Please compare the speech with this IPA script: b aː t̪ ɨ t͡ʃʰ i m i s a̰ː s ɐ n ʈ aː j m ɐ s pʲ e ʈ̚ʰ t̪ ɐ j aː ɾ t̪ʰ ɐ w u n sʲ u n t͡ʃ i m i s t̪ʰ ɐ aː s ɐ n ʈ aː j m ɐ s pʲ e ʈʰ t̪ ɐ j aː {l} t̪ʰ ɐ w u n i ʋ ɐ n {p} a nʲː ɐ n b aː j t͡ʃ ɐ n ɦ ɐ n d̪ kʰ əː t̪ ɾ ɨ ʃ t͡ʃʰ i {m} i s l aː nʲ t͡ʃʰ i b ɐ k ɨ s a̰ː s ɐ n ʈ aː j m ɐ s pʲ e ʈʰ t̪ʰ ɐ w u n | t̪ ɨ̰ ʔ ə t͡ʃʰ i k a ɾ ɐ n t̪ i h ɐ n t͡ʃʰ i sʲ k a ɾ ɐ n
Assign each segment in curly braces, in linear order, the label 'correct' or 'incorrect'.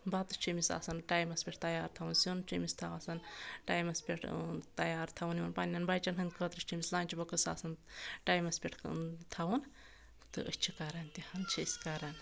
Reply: incorrect: ɾ, correct, correct

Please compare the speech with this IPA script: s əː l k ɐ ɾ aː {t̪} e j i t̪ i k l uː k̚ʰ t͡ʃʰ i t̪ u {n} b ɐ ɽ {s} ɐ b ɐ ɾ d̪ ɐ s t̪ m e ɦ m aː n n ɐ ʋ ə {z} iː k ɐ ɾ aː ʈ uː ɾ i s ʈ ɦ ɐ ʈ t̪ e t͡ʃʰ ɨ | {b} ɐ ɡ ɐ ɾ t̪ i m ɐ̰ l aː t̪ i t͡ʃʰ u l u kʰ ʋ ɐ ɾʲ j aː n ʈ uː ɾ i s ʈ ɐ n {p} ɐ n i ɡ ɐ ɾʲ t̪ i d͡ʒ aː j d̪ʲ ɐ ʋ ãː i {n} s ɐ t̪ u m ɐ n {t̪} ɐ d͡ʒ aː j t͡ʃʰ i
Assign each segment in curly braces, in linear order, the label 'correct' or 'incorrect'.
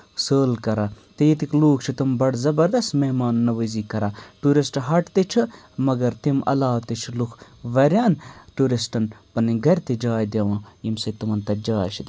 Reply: correct, incorrect: m, incorrect: z, correct, incorrect: m, correct, incorrect: m, correct

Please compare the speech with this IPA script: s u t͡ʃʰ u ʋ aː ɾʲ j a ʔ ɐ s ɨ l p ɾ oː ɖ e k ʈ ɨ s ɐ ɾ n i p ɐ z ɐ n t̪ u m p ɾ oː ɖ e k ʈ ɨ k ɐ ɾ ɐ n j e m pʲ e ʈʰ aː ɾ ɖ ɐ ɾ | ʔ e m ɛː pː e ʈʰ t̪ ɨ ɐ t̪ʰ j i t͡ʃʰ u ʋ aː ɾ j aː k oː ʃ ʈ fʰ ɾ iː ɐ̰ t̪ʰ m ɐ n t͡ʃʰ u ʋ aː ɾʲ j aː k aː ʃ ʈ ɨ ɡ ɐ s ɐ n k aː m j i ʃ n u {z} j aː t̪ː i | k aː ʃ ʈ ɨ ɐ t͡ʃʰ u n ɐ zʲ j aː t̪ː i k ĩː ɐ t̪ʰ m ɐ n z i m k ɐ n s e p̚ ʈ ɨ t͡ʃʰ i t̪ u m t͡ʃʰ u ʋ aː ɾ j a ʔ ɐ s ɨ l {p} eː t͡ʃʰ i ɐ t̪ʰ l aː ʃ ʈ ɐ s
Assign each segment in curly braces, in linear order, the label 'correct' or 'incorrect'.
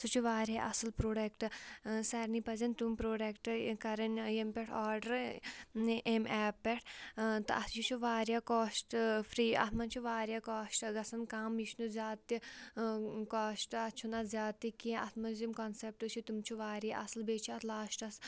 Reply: correct, incorrect: b

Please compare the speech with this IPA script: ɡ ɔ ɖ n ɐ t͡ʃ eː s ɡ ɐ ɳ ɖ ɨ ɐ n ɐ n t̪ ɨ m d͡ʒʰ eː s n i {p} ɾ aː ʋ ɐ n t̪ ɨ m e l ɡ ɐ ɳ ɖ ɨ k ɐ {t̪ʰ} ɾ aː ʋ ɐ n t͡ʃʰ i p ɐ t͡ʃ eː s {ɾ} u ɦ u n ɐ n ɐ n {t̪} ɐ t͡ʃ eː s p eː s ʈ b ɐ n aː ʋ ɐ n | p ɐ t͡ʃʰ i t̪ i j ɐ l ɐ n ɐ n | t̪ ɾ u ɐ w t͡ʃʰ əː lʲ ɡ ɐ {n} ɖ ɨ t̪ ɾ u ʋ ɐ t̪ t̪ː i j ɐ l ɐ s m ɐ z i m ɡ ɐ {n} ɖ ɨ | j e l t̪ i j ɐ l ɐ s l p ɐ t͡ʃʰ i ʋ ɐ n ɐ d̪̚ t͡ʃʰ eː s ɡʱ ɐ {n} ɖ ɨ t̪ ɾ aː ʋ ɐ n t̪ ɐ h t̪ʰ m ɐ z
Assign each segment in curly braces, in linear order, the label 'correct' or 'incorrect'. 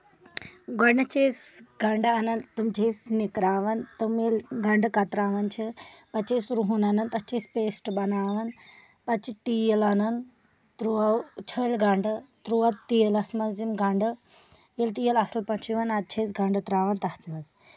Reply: incorrect: k, incorrect: t̪, correct, correct, incorrect: ɳ, incorrect: ɳ, incorrect: ɳ

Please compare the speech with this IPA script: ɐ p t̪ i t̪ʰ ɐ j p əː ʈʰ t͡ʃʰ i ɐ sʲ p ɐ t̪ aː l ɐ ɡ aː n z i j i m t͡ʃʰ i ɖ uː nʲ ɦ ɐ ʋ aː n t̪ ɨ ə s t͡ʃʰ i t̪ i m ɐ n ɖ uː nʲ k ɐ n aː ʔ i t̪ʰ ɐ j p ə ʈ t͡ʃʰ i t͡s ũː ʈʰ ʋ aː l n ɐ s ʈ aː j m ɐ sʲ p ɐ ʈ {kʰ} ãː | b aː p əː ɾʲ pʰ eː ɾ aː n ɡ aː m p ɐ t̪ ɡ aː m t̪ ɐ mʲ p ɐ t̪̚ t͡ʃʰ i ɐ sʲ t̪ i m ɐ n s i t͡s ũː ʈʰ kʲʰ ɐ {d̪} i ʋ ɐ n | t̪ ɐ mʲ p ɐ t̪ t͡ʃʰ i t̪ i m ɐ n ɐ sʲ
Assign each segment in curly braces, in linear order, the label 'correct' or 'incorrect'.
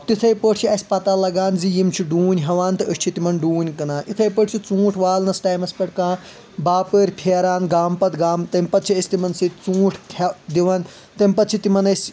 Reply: incorrect: k, correct

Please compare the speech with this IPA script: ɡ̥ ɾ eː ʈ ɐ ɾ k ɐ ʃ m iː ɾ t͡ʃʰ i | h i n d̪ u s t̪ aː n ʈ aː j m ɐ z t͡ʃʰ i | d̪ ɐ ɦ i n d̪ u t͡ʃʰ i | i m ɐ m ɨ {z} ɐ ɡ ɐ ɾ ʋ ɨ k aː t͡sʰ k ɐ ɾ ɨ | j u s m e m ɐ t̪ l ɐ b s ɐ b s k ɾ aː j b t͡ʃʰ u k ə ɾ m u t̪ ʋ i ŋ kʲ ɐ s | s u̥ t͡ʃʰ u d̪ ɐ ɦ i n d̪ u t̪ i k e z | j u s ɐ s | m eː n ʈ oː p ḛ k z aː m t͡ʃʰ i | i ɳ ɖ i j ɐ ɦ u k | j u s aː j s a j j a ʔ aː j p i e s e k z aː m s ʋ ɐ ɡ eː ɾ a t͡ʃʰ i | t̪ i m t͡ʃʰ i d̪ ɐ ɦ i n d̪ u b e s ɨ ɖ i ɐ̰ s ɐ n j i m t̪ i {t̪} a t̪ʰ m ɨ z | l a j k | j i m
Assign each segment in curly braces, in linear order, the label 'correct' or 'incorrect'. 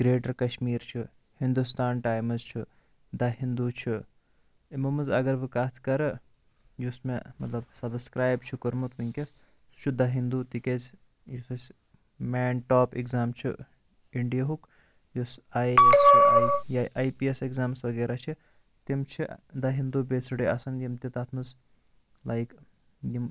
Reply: correct, correct

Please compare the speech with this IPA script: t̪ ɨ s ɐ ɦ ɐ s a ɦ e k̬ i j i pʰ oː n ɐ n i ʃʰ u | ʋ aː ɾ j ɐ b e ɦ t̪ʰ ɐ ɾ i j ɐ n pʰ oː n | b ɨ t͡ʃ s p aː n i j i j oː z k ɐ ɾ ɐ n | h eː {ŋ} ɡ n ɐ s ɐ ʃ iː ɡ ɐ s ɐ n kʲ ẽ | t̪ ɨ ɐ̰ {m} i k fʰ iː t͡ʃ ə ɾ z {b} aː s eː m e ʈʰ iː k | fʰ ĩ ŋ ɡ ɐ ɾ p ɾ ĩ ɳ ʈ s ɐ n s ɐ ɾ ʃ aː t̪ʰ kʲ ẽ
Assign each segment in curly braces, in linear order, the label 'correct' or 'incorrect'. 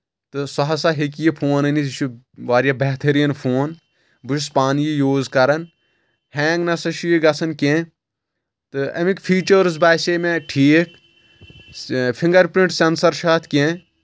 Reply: correct, correct, correct

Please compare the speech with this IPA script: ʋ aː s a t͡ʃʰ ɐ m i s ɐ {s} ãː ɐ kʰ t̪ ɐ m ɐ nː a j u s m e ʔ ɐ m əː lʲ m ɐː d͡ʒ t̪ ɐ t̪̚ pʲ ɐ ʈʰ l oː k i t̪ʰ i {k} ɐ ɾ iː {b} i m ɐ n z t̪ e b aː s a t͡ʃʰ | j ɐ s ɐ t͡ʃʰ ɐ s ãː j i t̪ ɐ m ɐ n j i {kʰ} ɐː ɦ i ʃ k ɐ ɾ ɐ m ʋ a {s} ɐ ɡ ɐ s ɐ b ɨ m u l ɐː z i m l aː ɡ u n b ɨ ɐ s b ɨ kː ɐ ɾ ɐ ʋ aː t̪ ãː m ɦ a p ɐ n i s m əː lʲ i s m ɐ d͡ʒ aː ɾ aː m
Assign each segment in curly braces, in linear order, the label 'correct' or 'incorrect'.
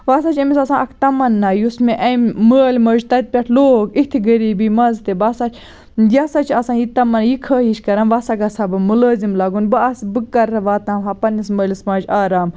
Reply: correct, incorrect: ɡ, correct, correct, correct

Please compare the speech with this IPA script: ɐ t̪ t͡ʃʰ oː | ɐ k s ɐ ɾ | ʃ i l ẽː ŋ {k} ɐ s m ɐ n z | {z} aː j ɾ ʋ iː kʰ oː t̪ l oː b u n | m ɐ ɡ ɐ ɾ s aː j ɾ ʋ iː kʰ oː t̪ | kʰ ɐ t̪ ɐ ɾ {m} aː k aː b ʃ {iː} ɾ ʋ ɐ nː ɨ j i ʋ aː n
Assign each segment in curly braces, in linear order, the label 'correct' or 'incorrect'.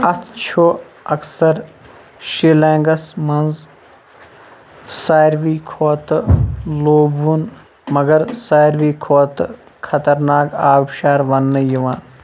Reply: incorrect: ɡ, incorrect: s, incorrect: n, incorrect: aː

